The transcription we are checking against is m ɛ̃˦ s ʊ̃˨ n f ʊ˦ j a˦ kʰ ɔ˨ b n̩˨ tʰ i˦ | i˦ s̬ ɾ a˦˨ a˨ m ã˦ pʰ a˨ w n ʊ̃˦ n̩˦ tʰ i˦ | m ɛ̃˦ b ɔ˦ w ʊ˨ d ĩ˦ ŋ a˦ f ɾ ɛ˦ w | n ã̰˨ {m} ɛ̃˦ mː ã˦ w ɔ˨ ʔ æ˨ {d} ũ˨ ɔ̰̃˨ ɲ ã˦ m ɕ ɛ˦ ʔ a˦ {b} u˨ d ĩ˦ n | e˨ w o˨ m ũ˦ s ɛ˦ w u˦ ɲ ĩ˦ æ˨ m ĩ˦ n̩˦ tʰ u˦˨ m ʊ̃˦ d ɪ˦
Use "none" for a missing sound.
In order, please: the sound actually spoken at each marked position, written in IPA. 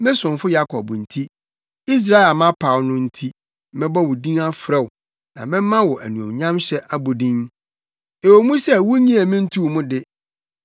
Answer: m, n, b

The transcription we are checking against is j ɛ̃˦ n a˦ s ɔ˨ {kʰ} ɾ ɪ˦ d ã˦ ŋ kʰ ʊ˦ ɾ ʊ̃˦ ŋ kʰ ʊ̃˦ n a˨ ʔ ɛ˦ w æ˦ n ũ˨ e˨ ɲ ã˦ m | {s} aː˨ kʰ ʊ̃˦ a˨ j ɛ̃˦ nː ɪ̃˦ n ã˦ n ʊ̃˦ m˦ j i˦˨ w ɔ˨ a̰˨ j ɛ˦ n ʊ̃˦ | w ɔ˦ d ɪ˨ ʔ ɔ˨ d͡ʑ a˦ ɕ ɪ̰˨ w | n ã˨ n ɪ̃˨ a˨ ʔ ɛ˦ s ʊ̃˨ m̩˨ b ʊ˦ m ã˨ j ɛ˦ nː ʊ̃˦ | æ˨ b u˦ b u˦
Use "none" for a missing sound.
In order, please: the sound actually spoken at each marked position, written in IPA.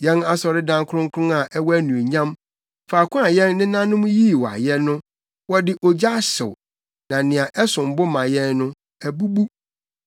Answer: none, f

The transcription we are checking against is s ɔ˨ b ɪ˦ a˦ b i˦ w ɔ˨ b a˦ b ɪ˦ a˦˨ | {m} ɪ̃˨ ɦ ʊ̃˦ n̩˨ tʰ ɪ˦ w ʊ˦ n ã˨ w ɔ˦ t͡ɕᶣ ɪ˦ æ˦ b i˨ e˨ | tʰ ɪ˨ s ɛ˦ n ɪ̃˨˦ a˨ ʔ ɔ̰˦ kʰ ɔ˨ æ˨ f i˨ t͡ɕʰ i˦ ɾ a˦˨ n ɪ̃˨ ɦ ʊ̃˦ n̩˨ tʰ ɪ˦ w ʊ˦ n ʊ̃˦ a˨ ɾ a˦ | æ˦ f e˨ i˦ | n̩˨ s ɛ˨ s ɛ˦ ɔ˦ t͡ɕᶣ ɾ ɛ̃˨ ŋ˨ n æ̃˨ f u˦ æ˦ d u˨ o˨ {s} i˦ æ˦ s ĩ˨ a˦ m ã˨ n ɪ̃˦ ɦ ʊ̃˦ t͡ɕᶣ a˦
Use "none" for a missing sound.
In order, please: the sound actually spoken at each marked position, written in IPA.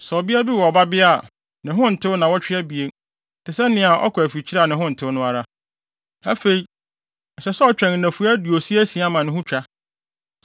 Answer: n, s

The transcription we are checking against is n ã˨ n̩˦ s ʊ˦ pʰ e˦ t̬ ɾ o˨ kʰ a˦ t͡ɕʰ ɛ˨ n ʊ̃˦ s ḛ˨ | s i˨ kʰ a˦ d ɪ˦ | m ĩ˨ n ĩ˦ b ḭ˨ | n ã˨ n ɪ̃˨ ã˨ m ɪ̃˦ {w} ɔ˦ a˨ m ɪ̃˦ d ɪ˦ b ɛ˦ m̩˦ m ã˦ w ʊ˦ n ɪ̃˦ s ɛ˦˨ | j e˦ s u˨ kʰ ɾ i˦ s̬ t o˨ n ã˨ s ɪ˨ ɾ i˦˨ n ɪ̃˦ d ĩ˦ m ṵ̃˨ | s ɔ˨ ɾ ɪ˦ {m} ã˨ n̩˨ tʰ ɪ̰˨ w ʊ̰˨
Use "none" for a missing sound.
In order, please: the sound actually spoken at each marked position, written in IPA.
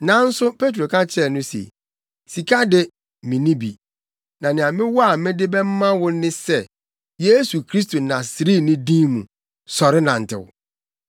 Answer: w, n

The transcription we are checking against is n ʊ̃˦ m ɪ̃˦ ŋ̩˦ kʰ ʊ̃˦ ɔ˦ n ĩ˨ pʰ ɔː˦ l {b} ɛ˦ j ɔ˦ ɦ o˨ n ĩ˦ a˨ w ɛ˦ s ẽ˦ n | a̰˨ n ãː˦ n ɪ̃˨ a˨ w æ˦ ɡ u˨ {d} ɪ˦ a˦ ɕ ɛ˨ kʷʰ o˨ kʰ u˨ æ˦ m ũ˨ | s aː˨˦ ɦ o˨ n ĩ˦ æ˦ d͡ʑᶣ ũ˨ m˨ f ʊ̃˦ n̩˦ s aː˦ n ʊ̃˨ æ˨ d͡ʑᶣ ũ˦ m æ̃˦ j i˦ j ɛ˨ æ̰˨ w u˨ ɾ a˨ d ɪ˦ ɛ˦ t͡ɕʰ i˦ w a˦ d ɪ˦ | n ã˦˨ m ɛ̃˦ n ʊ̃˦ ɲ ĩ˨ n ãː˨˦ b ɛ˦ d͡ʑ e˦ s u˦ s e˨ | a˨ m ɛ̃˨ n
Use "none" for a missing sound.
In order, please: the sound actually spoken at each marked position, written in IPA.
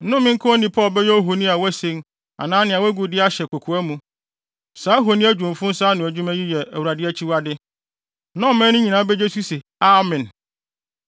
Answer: b, d

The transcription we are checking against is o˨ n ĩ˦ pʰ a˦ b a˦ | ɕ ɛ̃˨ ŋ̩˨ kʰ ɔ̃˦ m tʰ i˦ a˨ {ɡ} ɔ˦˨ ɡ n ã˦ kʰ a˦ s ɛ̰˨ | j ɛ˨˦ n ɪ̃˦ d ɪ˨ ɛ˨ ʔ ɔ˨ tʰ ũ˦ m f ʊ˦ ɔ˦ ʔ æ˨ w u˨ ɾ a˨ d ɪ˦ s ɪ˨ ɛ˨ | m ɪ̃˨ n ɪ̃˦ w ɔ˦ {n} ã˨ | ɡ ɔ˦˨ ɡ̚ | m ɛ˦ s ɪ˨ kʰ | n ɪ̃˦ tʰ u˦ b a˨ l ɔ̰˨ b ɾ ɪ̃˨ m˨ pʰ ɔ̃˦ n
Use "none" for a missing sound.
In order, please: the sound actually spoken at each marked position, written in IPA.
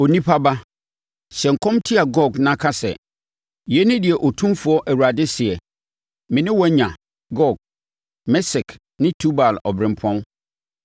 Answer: ɡ, ɲ

